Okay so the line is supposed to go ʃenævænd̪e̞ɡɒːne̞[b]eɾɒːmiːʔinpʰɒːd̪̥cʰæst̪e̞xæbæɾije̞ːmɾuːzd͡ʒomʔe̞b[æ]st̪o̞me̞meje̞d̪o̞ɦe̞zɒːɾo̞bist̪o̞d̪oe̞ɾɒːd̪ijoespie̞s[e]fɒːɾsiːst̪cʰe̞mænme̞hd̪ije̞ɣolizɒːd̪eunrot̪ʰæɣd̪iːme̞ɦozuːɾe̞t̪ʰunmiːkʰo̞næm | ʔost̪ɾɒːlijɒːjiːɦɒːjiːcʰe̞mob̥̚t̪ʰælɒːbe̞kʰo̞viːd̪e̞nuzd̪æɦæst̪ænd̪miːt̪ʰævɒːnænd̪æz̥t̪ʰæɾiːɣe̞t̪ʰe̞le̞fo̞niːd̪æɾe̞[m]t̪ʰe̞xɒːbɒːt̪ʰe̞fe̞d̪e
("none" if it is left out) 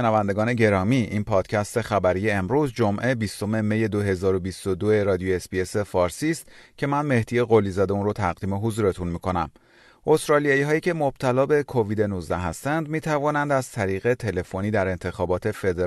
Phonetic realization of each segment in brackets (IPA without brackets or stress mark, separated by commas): ɟ, i, e, n